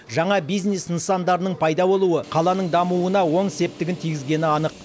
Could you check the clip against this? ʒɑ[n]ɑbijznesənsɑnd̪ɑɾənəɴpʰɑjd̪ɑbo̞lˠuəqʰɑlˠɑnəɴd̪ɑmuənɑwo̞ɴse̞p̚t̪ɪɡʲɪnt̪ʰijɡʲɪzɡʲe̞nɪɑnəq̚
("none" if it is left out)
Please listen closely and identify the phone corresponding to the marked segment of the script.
ɴ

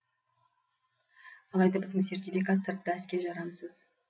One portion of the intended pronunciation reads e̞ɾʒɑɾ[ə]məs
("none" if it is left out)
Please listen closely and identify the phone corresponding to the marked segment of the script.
ɑ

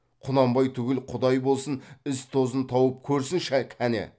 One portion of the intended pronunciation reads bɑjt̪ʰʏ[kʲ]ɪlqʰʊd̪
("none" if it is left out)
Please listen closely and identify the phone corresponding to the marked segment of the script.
ɡʲ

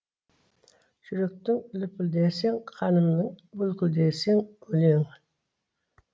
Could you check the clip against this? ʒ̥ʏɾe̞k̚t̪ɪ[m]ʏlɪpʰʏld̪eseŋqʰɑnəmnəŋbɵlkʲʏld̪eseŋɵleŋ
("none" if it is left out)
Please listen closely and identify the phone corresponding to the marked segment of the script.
ŋ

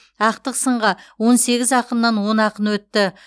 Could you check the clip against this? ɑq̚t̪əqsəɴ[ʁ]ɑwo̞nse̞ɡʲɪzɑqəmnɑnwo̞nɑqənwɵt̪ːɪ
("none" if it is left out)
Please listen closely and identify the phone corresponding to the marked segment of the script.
ʁ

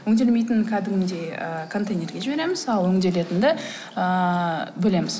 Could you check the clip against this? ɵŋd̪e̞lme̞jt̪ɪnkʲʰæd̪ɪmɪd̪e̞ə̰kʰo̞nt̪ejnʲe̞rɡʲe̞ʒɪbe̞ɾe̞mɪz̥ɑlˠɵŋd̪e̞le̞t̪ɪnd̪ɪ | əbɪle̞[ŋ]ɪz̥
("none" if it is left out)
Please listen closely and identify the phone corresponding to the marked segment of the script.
m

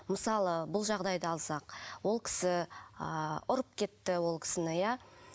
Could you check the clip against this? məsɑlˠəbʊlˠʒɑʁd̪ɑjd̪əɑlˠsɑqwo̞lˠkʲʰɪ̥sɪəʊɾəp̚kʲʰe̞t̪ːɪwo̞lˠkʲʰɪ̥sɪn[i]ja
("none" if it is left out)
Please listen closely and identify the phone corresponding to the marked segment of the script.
ɪ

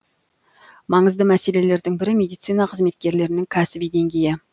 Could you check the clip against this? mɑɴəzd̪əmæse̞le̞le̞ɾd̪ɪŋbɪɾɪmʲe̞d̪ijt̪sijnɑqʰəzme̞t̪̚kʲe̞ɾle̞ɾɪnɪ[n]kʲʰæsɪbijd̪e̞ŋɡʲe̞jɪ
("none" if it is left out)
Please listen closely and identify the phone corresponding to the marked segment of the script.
ŋ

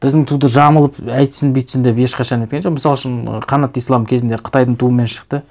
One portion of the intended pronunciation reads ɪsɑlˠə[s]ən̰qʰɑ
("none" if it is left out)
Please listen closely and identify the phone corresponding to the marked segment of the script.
ʃ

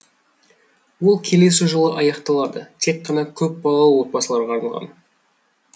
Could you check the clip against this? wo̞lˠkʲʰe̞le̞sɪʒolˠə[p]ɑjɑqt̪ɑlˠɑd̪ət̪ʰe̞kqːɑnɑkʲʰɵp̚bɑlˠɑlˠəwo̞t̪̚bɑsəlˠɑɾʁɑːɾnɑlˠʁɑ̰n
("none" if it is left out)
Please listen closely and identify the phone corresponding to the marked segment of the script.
ʔ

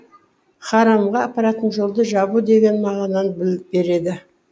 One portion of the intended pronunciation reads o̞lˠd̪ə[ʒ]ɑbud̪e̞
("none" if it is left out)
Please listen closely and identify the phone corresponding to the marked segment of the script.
ʒ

